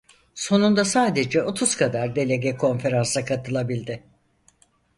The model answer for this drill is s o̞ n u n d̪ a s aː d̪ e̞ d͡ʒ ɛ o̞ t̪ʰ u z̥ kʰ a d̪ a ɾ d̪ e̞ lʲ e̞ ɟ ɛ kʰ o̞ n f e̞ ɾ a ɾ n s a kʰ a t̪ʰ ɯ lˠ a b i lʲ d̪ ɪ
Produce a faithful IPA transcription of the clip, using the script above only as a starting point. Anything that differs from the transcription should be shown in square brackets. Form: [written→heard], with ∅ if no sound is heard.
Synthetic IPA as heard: s o̞ n u n d̪ a s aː d̪ e̞ d͡ʒ ɛ o̞ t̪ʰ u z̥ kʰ a d̪ a ɾ d̪ e̞ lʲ e̞ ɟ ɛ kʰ o̞ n f e̞ ɾ a [ɾ→∅] n s a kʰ a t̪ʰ ɯ lˠ a b i lʲ d̪ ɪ

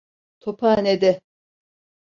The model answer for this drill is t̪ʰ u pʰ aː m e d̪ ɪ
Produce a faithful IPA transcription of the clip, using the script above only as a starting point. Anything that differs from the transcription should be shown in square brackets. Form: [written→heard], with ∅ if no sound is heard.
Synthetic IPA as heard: t̪ʰ [u→o] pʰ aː [m→n] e d̪ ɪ

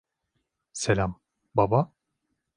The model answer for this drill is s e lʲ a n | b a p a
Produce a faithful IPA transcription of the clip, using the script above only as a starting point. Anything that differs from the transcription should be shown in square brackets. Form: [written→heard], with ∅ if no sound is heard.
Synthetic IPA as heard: s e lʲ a [n→m] | b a [p→b] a

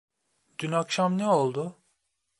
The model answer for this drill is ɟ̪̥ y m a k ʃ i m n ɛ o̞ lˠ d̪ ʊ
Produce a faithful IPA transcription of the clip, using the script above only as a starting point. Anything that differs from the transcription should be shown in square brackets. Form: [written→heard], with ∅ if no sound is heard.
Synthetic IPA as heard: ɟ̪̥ y [m→n] a k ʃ [i→a] m n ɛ o̞ lˠ d̪ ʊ

